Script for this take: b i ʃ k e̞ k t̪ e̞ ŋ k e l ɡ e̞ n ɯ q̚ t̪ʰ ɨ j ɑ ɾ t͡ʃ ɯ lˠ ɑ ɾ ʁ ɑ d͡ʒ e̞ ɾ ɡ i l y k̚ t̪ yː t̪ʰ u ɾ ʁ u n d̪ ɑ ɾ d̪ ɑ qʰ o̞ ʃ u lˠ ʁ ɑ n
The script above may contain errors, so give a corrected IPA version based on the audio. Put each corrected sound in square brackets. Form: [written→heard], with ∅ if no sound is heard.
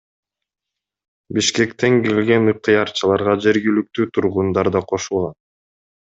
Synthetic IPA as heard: b i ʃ k e̞ k t̪ e̞ ŋ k e l ɡ e̞ n ɯ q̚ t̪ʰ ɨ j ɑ ɾ t͡ʃ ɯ lˠ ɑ ɾ ʁ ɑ d͡ʒ e̞ ɾ ɡ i l y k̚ t̪ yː t̪ʰ u ɾ ʁ u n d̪ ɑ ɾ d̪ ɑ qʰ o̞ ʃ u lˠ ʁ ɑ n